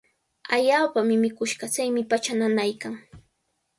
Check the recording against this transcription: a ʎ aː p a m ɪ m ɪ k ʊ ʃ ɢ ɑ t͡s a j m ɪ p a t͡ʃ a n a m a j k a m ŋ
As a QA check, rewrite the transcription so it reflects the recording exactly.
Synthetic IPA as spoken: a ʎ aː p a m ɪ m ɪ k ʊ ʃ ɢ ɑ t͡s a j m ɪ p a t͡ʃ a n a n a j k a ŋ